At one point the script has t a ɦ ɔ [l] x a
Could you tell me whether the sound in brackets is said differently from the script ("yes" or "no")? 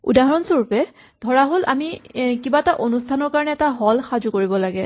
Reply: no